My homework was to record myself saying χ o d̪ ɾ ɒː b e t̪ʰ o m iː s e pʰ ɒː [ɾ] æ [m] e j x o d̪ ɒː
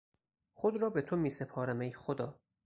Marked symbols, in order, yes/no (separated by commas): yes, yes